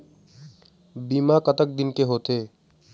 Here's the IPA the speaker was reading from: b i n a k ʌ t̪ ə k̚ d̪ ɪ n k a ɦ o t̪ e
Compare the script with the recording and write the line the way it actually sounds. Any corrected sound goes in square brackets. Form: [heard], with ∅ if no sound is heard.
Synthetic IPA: b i [m] a k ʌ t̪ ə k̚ d̪ [i] n k [e] ɦ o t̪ e